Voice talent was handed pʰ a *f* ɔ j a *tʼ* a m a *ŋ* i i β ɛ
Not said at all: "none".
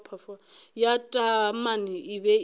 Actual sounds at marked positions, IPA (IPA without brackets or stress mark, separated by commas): f, tʼ, n